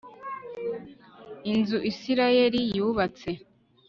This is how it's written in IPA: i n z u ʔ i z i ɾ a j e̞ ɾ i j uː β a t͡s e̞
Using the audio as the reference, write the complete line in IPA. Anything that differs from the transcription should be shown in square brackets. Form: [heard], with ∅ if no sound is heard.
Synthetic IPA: i n z u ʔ i [s] i ɾ a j e̞ ɾ i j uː β a t͡s e̞

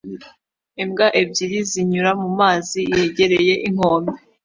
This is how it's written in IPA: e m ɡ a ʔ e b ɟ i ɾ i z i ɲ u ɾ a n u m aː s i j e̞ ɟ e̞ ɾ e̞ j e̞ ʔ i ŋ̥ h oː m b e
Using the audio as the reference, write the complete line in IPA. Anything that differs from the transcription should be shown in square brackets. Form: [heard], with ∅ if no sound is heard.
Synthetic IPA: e m ɡ a ʔ e b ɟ i ɾ i z i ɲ u ɾ a [m] u m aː [z] i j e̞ ɟ e̞ ɾ e̞ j e̞ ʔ i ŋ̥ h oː m b e

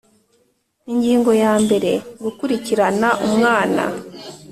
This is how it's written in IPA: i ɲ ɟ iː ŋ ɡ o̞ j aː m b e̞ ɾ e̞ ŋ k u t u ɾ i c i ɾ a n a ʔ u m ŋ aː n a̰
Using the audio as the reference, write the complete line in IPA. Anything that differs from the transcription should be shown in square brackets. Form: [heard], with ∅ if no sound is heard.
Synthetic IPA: i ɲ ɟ iː ŋ ɡ o̞ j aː m b e̞ ɾ e̞ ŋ [ɡ] u [k] u ɾ i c i ɾ a n a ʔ u m ŋ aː n a̰

